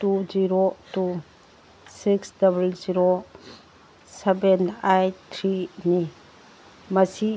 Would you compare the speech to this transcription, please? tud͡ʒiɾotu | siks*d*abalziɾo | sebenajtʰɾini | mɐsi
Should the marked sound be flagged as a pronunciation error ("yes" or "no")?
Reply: no